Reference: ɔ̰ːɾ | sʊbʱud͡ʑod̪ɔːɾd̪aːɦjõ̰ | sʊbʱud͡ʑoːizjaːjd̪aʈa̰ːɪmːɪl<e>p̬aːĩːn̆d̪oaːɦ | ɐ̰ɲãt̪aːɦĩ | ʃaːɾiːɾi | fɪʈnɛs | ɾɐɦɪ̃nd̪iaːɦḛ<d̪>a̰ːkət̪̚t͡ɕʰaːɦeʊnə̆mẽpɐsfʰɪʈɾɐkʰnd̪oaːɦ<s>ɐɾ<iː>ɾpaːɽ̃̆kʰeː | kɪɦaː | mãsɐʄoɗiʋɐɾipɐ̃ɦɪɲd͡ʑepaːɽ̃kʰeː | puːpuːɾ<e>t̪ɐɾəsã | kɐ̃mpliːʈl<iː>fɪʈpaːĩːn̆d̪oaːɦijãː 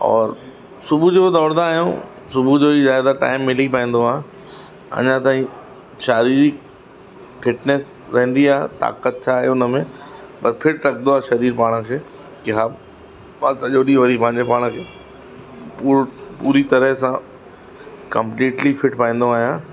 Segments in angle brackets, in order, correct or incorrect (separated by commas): incorrect, incorrect, incorrect, correct, incorrect, incorrect